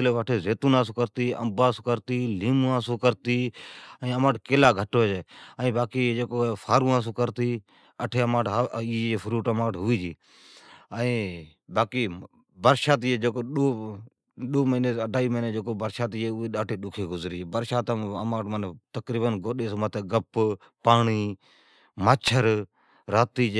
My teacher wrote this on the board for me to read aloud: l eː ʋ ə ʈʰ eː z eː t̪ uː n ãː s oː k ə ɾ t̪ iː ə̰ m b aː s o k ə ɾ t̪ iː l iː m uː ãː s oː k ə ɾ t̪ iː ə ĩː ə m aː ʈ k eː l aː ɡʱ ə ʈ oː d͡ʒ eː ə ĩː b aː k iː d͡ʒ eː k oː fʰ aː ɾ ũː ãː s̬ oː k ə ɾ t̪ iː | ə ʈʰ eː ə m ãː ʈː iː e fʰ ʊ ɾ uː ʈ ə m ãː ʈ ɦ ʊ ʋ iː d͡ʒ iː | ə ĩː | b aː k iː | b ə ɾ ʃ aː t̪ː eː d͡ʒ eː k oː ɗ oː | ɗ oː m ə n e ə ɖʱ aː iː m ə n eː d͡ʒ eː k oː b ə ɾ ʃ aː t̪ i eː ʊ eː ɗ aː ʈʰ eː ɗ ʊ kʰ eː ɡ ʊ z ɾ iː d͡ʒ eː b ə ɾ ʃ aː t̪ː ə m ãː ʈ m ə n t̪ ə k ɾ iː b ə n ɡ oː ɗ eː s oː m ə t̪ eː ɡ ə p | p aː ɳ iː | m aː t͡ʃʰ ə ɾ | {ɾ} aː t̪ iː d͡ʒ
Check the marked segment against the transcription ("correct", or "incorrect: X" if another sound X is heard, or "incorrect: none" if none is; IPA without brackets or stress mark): correct